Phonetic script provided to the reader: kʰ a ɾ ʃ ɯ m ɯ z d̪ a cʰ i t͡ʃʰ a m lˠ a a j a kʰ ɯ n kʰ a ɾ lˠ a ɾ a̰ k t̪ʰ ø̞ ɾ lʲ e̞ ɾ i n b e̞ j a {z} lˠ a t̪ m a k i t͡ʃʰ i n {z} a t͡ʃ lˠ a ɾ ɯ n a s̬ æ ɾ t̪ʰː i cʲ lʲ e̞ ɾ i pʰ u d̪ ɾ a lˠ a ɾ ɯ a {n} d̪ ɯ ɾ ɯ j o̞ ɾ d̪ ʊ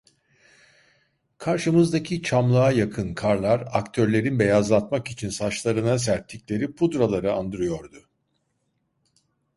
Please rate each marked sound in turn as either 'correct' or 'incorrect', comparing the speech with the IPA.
correct, incorrect, correct

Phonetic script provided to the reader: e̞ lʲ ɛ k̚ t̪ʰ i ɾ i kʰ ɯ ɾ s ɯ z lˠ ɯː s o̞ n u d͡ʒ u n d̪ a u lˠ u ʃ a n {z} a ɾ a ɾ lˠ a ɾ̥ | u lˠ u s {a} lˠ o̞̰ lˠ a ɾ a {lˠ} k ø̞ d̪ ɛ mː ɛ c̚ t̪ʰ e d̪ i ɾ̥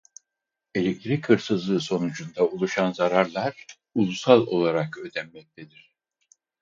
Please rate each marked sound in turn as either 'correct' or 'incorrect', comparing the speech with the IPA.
correct, correct, incorrect

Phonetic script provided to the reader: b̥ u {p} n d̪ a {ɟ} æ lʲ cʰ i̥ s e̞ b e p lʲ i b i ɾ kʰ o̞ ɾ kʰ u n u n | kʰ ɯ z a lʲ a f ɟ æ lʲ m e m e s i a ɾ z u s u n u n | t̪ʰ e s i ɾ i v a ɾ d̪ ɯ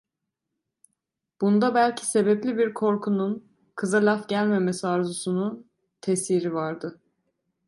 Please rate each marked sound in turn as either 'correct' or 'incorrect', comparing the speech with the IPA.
incorrect, incorrect

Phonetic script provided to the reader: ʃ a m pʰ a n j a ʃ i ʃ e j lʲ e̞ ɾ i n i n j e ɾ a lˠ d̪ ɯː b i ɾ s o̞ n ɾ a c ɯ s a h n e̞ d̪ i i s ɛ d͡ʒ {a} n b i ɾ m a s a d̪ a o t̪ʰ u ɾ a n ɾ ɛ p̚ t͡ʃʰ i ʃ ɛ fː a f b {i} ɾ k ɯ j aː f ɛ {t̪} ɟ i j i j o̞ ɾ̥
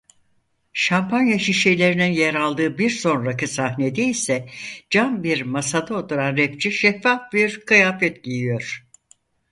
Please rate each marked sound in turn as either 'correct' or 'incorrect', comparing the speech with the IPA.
correct, correct, correct

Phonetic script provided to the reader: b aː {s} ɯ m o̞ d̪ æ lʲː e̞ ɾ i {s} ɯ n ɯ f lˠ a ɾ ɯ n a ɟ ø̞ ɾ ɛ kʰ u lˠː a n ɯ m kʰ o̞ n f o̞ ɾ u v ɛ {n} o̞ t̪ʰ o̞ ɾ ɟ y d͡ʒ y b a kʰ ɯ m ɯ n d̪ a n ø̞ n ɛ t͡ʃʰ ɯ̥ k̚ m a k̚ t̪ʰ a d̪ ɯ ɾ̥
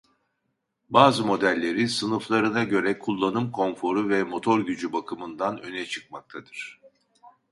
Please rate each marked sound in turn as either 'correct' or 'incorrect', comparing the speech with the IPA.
incorrect, correct, incorrect

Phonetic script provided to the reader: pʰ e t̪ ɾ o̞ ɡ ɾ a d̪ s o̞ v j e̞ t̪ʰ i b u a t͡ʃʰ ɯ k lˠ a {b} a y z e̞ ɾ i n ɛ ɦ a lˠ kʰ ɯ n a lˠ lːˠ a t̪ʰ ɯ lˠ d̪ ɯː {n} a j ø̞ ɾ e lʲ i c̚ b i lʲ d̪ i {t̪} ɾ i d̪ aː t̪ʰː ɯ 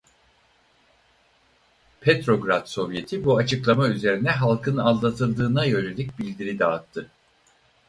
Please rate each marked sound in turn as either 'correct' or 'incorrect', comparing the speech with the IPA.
incorrect, correct, incorrect

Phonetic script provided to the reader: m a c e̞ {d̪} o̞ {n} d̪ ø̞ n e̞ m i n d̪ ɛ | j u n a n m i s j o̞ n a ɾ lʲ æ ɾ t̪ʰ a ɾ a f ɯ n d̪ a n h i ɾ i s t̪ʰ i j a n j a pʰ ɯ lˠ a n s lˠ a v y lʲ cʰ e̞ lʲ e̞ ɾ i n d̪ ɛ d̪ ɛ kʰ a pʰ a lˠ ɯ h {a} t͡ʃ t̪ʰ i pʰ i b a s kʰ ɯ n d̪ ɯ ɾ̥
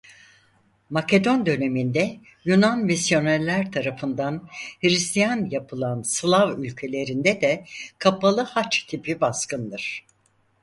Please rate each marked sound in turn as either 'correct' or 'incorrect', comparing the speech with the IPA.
correct, correct, correct

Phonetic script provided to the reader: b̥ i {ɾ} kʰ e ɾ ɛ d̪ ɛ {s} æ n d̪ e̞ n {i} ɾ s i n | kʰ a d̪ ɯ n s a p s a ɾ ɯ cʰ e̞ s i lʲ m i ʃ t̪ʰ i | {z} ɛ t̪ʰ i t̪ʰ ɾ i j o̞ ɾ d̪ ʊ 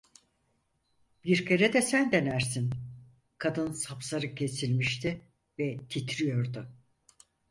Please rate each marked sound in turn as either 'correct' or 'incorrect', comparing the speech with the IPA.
correct, correct, incorrect, incorrect

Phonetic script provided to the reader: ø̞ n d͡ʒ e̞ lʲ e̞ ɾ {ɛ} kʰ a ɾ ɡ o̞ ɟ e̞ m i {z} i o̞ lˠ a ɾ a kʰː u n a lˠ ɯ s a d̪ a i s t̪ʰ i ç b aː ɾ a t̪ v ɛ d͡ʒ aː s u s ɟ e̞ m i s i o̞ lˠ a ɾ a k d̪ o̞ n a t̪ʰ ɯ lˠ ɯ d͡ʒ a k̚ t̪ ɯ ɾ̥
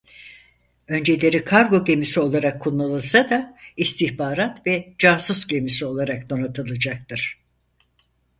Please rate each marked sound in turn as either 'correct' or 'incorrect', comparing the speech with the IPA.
incorrect, incorrect

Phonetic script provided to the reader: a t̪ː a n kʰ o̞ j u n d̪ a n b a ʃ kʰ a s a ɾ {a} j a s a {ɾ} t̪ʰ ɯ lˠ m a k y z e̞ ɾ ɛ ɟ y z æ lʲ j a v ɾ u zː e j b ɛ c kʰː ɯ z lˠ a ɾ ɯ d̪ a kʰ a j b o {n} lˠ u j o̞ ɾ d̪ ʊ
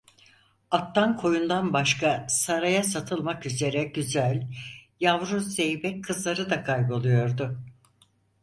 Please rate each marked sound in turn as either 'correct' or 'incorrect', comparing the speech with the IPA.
correct, incorrect, incorrect

